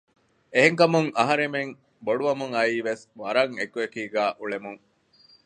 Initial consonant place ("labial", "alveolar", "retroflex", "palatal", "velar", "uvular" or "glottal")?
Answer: glottal